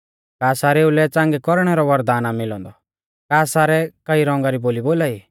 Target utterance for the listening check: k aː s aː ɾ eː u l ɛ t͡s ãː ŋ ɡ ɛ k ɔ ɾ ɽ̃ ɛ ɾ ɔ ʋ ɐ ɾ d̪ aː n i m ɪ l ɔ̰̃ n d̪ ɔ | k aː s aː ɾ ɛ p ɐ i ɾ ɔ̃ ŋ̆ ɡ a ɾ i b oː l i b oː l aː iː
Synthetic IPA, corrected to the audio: k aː s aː ɾ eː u l ɛ t͡s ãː ŋ ɡ ɛ k ɔ ɾ ɽ̃ ɛ ɾ ɔ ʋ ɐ ɾ d̪ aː n a m ɪ l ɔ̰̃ n d̪ ɔ | k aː s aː ɾ ɛ k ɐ i ɾ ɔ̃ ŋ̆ ɡ a ɾ i b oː l i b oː l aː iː